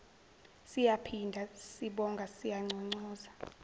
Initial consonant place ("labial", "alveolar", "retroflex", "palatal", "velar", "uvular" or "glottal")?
alveolar